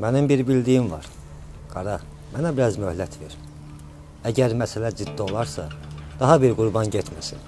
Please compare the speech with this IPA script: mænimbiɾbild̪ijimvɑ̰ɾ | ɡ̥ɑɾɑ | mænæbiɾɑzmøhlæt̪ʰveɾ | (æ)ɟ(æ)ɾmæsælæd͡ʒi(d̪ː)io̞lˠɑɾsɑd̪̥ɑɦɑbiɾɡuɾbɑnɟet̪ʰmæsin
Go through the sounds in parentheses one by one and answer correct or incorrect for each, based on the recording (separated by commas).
correct, correct, correct